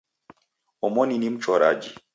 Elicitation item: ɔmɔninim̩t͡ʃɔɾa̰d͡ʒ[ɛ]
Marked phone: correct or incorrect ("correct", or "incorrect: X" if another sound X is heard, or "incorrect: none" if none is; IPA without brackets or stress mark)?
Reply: incorrect: i